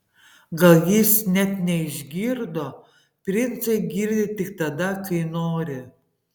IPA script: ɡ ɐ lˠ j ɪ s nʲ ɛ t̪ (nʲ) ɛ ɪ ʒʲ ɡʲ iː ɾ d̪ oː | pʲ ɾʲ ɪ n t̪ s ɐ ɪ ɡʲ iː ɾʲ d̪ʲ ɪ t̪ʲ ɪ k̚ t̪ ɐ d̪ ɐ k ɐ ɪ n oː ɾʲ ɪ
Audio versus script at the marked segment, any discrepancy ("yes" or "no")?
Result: no